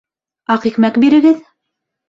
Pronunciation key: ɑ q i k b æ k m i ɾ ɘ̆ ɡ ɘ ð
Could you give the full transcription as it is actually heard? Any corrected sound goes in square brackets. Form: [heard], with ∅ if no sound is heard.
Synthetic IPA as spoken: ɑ q i k [m] æ k [b] i ɾ ɘ̆ ɡ ɘ ð